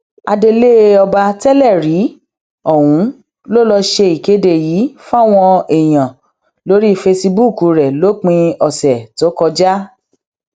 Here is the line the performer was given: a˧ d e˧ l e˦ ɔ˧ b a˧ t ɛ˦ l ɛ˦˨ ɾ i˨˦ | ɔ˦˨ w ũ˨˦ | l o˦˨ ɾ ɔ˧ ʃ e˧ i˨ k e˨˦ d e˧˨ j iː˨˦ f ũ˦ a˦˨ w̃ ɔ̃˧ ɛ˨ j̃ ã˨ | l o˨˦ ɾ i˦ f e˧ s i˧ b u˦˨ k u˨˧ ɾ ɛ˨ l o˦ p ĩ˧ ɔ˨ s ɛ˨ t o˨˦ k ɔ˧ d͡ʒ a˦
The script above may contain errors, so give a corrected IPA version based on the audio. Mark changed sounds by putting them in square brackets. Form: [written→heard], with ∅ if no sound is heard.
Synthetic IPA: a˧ d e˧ l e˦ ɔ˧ b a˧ t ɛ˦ l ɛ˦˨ ɾ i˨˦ | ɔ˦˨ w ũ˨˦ | l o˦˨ [ɾ→l] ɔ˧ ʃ e˧ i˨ k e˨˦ d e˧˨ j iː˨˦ f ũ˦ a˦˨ w̃ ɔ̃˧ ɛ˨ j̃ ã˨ | l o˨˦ ɾ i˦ f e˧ s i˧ b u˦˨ k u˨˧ ɾ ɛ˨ l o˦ [p→k͡p] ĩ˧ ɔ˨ s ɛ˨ t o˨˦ k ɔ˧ d͡ʒ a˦

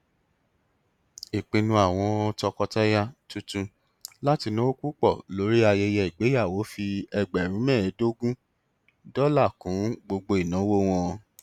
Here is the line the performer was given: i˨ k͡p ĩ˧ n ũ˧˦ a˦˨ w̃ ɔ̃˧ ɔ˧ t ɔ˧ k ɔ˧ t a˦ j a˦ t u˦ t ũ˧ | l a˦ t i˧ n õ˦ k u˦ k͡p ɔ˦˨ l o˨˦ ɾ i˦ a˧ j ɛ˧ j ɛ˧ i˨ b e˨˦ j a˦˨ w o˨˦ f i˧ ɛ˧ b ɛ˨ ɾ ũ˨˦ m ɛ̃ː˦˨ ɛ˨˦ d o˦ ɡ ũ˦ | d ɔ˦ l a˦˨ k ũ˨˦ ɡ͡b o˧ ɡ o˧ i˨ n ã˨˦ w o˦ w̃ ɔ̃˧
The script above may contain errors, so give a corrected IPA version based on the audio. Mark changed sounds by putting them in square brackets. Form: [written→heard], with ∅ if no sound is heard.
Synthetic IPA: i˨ k͡p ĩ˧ n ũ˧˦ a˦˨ w̃ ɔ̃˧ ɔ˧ t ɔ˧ k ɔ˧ t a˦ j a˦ t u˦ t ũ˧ | l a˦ t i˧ n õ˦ k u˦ k͡p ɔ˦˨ l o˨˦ ɾ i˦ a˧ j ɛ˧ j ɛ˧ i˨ [b→ɡ͡b] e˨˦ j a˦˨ w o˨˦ f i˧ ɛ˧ [b→ɡ͡b] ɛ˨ ɾ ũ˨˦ m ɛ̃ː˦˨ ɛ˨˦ d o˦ ɡ ũ˦ | d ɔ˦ l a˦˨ k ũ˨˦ ɡ͡b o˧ [ɡ→ɡ͡b] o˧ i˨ n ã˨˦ w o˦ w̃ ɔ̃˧

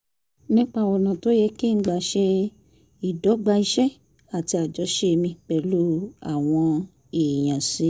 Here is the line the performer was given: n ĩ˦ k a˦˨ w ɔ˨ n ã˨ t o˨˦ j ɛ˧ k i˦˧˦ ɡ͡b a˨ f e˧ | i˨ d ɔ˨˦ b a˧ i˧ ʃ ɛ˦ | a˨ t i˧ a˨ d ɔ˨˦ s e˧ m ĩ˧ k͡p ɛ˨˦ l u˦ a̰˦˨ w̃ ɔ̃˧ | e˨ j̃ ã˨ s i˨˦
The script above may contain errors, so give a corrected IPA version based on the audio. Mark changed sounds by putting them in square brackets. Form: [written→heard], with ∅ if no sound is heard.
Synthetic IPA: n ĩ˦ [k→k͡p] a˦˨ w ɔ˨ n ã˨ t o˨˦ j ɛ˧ k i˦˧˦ ɡ͡b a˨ [f→ʃ] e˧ | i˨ d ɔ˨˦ [b→ɡ͡b] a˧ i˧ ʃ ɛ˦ | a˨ t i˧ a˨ [d→d͡ʒ] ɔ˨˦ [s→ʃ] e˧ m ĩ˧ k͡p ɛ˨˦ l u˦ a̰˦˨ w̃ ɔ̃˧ | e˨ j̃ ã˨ s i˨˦

